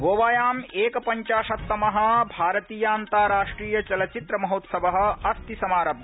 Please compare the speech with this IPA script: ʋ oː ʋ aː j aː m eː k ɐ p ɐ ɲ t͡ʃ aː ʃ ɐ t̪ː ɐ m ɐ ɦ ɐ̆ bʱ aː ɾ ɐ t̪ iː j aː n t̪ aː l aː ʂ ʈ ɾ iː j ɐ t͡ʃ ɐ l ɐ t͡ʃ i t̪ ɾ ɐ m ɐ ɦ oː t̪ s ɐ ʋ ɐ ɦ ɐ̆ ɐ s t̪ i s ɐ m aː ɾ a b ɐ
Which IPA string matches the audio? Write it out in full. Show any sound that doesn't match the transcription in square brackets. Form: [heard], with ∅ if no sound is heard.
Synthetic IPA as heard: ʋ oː ʋ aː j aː m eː k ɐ p ɐ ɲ t͡ʃ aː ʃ ɐ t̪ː ɐ m ɐ ɦ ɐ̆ bʱ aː ɾ ɐ t̪ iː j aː n t̪ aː [ɾ] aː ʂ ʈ ɾ iː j ɐ t͡ʃ ɐ l ɐ t͡ʃ i t̪ ɾ ɐ m ɐ ɦ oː t̪ s ɐ ʋ ɐ ɦ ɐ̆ ɐ s t̪ i s ɐ m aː ɾ [ɐ] b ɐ